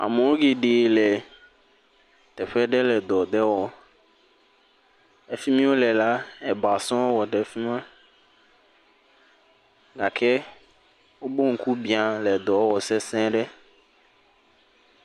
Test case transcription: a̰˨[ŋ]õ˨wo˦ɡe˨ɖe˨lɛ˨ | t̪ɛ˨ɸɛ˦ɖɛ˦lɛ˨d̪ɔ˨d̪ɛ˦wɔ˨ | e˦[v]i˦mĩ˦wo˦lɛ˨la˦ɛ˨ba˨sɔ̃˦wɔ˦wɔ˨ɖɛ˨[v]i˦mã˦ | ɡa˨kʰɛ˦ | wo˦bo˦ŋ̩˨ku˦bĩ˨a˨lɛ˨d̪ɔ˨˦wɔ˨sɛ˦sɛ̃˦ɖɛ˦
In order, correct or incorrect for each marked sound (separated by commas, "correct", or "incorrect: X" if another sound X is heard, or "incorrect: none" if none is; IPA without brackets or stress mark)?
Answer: incorrect: m, incorrect: f, incorrect: f